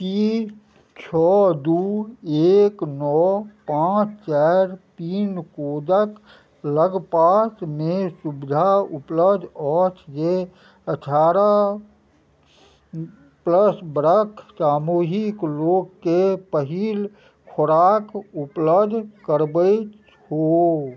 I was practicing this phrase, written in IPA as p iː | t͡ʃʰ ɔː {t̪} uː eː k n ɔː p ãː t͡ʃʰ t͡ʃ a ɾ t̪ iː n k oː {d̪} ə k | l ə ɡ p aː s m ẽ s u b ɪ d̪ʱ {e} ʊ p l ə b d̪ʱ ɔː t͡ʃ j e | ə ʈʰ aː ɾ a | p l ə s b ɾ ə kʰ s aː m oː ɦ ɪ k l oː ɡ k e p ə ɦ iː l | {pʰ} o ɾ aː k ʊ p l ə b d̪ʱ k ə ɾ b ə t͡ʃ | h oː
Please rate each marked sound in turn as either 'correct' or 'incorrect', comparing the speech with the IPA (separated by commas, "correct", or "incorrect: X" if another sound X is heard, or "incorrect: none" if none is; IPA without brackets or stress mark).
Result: incorrect: d̪, correct, incorrect: a, incorrect: kʰ